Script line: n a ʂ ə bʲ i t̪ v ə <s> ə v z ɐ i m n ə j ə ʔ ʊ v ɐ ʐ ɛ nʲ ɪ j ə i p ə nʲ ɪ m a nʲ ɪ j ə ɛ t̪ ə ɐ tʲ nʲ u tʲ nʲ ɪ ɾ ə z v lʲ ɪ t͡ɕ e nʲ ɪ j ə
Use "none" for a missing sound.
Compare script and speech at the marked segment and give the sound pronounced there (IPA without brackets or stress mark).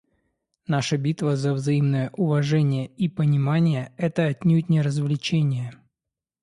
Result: z